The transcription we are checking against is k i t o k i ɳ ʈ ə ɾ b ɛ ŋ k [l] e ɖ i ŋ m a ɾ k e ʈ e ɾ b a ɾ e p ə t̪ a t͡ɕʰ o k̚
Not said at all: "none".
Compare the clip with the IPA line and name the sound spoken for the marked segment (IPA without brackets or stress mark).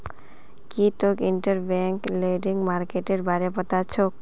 l